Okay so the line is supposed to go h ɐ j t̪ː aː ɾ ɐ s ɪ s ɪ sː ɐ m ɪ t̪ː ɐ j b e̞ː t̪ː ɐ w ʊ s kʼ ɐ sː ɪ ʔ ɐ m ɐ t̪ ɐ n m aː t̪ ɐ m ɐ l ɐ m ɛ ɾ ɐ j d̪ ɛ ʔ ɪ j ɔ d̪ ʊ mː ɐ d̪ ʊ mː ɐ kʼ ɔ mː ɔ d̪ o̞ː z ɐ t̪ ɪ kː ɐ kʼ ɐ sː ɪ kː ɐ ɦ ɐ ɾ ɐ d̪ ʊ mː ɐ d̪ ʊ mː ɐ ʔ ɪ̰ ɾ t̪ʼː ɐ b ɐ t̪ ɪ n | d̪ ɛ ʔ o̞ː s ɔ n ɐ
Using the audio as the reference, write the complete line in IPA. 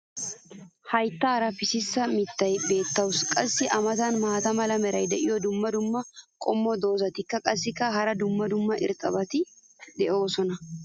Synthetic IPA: h ɐ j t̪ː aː ɾ ɐ f ɪ s ɪ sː ɐ m ɪ t̪ː ɐ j b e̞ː t̪ː ɐ w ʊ s kʼ ɐ sː ɪ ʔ ɐ m ɐ t̪ ɐ n m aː t̪ ɐ m ɐ l ɐ m ɛ ɾ ɐ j d̪ ɛ ʔ ɪ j ɔ d̪ ʊ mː ɐ d̪ ʊ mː ɐ kʼ ɔ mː ɔ d̪ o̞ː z ɐ t̪ ɪ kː ɐ kʼ ɐ sː ɪ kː ɐ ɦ ɐ ɾ ɐ d̪ ʊ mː ɐ d̪ ʊ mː ɐ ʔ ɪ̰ ɾ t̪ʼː ɐ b ɐ t̪ ɪ | d̪ ɛ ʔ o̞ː s ɔ n ɐ

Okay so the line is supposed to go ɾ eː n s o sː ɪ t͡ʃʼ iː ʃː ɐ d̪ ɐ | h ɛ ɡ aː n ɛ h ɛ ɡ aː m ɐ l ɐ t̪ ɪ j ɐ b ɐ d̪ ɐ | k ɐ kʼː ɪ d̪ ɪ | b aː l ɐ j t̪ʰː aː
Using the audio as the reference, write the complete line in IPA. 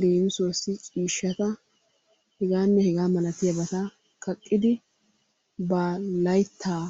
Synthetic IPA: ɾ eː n s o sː ɪ t͡ʃʼ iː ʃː ɐ t̪ ɐ | h ɛ ɡ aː nː ɛ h ɛ ɡ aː m ɐ l ɐ t̪ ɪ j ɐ b ɐ t̪ ɐ | k ɐ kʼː ɪ d̪ ɪ | b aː l ɐ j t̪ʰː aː

